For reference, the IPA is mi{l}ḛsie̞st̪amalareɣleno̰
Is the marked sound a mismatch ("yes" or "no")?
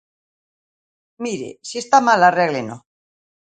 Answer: yes